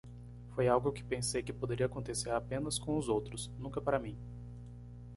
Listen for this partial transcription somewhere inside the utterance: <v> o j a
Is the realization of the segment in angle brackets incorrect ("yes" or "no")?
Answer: yes